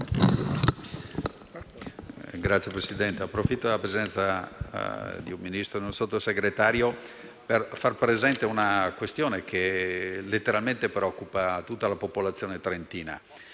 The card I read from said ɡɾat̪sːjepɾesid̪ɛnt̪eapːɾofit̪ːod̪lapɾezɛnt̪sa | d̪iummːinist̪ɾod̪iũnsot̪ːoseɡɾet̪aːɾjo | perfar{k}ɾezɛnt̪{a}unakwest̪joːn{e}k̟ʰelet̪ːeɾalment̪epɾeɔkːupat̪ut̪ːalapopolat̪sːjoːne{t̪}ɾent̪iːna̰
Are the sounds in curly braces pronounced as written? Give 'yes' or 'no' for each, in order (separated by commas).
no, no, yes, yes